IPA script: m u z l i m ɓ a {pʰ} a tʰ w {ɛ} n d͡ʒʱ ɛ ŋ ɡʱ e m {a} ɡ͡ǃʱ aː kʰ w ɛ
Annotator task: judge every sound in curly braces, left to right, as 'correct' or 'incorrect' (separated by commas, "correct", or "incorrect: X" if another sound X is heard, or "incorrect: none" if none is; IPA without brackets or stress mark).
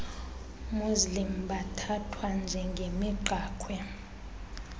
incorrect: tʰ, incorrect: a, incorrect: i